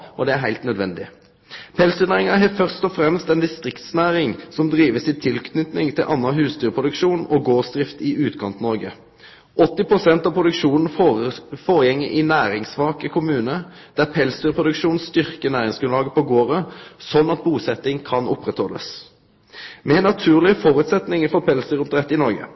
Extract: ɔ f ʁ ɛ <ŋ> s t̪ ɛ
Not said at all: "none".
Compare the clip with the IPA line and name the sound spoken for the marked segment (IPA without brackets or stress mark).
m